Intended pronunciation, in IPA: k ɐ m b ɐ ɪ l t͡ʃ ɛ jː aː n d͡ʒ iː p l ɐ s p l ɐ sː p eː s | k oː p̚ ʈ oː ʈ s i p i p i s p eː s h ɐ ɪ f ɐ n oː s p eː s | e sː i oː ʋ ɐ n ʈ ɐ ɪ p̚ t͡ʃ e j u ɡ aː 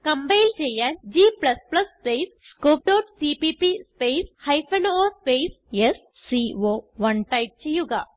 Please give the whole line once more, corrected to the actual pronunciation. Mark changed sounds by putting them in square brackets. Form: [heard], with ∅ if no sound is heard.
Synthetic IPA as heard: k ɐ m b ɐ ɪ l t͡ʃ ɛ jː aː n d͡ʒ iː p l ɐ s p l ɐ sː p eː s | k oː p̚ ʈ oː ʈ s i p i p i s p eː s h ɐ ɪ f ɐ n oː s p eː s | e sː i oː ʋ ɐ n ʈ ɐ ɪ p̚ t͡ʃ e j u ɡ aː

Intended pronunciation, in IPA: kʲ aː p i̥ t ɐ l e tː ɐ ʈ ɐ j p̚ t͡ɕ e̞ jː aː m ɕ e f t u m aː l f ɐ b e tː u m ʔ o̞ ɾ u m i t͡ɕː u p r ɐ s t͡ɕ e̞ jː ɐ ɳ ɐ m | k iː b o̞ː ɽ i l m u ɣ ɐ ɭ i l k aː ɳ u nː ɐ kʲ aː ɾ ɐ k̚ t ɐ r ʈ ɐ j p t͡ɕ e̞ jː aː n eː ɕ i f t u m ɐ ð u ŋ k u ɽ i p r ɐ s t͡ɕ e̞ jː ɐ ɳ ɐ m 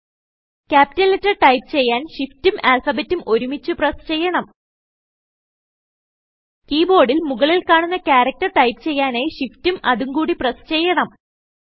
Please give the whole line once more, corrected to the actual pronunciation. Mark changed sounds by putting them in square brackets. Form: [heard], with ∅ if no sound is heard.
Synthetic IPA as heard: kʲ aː p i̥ t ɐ l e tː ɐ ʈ ɐ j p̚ t͡ɕ e̞ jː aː [n] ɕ [i] f t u m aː l f ɐ b e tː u m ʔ o̞ ɾ u m i t͡ɕː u p r ɐ s t͡ɕ e̞ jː ɐ ɳ ɐ m | k iː b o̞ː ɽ i l m u ɣ ɐ ɭ i l k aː ɳ u nː ɐ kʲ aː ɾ ɐ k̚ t ɐ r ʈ ɐ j p t͡ɕ e̞ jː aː n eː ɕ i f t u m ɐ ð u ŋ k [uː] ɽ i p r ɐ s t͡ɕ e̞ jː ɐ ɳ ɐ m

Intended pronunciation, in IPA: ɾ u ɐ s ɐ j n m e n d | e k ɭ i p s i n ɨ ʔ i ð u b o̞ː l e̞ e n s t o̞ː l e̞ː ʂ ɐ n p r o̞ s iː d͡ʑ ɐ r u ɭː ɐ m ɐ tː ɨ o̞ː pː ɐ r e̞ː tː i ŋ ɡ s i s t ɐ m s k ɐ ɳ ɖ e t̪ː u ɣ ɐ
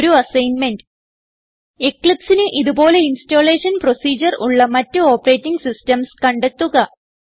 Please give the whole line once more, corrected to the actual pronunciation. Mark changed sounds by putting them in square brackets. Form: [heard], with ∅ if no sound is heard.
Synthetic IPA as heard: ɾ u ɐ s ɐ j n m e n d | e k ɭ i p s i n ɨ ʔ i ð u b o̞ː l e̞ [i] n s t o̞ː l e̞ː ʂ ɐ n p r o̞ s iː d͡ʑ ɐ r u ɭː ɐ m ɐ tː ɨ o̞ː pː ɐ r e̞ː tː i ŋ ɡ s i s t ɐ m s k ɐ ɳ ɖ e t̪ː u ɣ ɐ

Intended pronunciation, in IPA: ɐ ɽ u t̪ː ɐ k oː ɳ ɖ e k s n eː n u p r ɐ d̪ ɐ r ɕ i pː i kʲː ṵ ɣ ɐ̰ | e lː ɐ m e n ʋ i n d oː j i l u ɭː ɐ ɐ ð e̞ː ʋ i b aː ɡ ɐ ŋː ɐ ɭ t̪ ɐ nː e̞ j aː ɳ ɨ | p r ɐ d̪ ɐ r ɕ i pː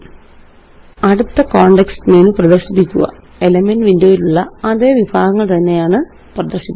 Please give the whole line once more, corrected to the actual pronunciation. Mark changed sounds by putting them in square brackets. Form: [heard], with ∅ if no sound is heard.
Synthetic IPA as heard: ɐ ɽ u t̪ː ɐ k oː ɳ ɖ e k s n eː n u p r ɐ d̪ ɐ r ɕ i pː i kʲː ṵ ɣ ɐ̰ | e [l] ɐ m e n ʋ i n d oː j i l u ɭː ɐ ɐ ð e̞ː ʋ i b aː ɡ ɐ ŋː ɐ ɭ t̪ ɐ nː e̞ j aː ɳ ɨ | p r ɐ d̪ ɐ r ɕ i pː

